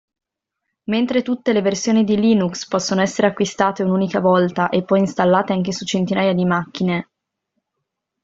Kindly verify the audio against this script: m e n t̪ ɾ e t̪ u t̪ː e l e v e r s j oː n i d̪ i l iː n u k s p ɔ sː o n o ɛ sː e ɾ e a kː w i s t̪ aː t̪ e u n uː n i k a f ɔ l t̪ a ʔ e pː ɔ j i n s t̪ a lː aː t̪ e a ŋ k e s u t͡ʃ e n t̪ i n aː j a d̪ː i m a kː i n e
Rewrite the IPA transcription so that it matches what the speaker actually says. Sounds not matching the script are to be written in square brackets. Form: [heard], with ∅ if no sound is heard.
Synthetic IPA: m e n t̪ ɾ e t̪ u t̪ː e l e v e r s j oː n i d̪ i l iː n u k s p ɔ sː o n o ɛ sː e ɾ e a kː w i s t̪ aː t̪ e u n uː n i k a [v] ɔ l t̪ a ʔ e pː ɔ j i n s t̪ a lː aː t̪ e a ŋ k e s u t͡ʃ e n t̪ i n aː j a [d̪] i m a kː i n e